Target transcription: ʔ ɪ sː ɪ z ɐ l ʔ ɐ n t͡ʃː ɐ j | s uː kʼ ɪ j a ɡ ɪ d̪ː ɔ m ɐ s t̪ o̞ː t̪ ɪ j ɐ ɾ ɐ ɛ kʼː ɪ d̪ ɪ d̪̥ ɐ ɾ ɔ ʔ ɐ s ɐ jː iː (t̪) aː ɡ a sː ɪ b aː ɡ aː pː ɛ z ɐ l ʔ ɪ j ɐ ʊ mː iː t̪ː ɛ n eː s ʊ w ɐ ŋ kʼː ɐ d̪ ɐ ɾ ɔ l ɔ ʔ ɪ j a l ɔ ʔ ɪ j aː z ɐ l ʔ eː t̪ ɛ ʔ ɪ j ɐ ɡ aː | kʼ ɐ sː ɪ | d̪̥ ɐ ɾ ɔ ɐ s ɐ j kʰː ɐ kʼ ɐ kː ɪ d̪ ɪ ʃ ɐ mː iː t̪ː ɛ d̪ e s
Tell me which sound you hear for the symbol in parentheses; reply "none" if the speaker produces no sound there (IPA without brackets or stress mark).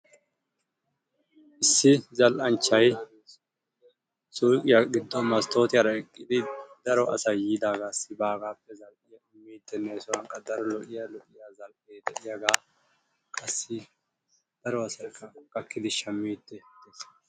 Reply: d̪